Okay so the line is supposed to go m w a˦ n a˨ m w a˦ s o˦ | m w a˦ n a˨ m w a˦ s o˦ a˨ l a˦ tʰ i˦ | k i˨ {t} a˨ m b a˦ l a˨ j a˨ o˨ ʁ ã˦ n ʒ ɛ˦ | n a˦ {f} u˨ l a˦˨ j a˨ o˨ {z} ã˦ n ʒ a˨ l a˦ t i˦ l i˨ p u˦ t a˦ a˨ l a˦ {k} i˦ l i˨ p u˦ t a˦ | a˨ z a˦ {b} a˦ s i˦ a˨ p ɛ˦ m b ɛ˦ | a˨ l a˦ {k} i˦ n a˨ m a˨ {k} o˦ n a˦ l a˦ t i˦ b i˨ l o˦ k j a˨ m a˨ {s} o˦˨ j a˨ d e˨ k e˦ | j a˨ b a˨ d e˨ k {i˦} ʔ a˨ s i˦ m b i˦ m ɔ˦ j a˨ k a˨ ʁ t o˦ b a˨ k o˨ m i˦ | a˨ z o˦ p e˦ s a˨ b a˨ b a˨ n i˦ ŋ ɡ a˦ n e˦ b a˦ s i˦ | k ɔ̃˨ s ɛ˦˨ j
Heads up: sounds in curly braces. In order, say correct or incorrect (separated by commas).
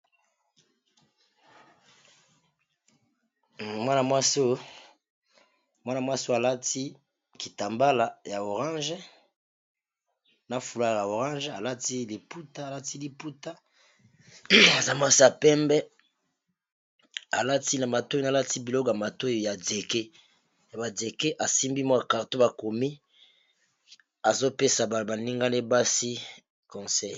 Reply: correct, correct, incorrect, incorrect, incorrect, incorrect, incorrect, incorrect, incorrect